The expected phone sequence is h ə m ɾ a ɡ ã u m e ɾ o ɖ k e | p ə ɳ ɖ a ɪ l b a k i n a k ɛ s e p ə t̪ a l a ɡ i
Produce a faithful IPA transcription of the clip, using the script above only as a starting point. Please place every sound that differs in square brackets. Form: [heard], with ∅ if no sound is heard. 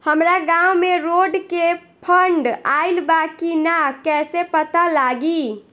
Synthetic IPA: h ə m ɾ a ɡ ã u m e ɾ o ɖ k e | [pʰ] ə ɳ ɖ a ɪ l b a k i n a k ɛ s e p ə t̪ a l a ɡ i